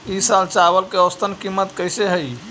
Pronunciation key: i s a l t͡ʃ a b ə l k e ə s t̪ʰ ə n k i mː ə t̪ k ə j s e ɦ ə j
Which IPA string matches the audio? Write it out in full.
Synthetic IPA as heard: i s a l t͡ʃ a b ə l k e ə s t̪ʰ ə n k i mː ə t̪ k ə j s e ɦ ə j